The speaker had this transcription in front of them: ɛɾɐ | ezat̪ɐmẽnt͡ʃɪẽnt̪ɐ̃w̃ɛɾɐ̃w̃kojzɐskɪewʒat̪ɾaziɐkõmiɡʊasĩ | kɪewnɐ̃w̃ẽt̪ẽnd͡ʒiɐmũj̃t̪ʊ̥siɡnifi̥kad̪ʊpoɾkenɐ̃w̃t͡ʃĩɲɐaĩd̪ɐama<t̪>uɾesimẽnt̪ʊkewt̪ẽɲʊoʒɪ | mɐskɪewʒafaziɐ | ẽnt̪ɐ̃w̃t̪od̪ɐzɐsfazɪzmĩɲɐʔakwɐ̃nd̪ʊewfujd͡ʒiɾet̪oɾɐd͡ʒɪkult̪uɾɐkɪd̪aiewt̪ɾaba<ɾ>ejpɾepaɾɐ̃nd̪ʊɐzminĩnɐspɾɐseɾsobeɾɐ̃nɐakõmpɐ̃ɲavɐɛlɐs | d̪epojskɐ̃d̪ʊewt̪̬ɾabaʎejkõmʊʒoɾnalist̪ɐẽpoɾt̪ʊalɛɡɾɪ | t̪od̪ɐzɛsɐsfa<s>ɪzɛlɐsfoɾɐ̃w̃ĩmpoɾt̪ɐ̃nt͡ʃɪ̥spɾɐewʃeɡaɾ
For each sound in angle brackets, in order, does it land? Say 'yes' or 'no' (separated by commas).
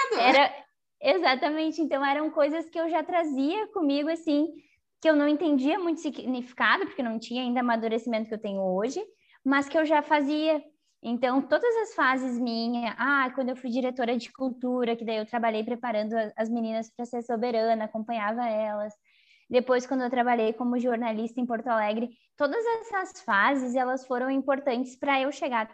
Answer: no, no, no